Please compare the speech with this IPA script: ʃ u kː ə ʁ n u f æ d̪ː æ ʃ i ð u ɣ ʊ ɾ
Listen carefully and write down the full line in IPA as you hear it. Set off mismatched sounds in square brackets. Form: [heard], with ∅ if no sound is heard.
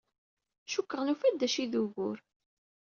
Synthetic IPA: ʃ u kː ə ʁ n u f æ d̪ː æ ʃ i ð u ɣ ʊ ɾ